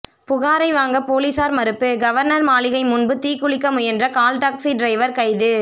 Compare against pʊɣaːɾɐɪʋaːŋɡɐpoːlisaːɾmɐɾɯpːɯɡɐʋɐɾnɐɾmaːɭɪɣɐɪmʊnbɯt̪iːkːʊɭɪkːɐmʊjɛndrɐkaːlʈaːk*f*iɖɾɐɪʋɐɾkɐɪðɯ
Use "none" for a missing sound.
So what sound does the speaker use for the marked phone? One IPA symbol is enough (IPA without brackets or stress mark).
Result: s